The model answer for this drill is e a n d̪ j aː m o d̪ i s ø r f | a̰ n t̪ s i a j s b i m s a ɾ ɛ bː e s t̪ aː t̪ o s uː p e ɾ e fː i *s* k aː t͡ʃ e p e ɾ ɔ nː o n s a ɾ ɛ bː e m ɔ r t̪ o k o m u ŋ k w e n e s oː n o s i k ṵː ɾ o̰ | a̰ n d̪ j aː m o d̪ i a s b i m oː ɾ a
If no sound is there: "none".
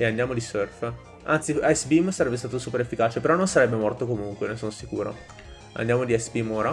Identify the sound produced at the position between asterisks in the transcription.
none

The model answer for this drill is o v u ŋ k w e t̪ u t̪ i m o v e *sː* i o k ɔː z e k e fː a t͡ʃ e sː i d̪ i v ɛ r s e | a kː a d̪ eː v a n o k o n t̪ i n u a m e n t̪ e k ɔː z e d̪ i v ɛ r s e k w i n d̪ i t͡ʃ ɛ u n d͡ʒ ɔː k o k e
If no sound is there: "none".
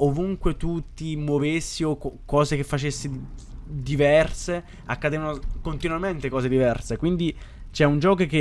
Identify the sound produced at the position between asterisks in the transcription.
sː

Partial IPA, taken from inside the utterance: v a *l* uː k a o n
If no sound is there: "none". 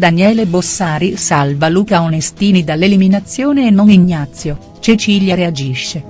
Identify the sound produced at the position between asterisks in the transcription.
l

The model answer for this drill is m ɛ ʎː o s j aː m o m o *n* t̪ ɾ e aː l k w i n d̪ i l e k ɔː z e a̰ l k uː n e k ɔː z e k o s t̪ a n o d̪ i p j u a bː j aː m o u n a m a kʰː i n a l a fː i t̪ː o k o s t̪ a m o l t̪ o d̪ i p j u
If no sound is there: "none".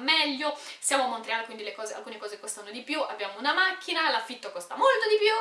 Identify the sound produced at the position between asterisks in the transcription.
n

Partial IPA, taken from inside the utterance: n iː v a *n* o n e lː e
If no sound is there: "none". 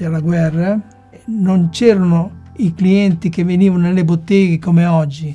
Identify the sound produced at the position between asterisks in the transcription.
n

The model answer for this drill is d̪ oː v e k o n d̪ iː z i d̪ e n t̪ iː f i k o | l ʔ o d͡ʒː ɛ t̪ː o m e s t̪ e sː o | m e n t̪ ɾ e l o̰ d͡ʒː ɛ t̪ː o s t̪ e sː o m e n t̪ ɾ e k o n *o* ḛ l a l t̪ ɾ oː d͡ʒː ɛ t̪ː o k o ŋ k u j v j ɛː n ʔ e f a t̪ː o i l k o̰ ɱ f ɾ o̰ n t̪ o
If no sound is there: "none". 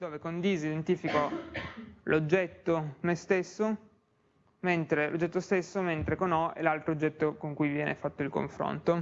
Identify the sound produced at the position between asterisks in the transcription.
ɔ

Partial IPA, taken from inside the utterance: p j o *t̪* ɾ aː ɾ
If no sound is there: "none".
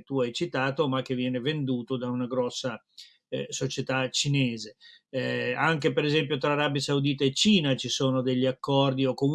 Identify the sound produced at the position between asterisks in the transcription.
t̪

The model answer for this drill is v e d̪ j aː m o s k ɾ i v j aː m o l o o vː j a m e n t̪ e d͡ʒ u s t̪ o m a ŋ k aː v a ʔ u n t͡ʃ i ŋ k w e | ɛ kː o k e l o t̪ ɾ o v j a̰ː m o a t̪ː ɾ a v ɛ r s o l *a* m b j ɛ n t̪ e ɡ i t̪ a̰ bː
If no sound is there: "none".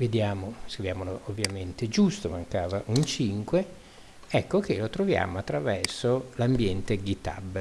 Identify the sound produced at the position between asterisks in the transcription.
a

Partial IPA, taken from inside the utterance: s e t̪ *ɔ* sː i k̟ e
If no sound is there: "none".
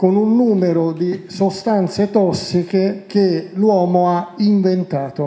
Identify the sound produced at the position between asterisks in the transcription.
ɔ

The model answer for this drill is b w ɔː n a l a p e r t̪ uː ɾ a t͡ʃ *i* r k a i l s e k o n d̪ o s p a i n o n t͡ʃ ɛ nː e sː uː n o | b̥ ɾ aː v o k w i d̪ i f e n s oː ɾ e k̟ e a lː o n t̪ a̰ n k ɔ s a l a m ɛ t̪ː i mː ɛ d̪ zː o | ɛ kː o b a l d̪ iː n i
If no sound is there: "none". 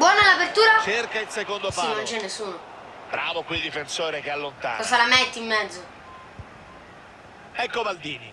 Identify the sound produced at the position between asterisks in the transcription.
e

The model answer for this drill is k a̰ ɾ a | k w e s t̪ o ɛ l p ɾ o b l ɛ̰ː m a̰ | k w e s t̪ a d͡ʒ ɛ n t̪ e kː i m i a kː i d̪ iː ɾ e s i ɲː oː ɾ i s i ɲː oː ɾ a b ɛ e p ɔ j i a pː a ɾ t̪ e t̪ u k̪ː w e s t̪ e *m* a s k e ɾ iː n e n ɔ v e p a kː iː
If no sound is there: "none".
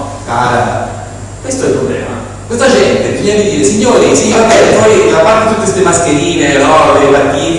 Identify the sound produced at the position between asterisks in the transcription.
m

